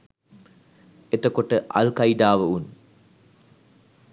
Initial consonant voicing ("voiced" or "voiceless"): voiceless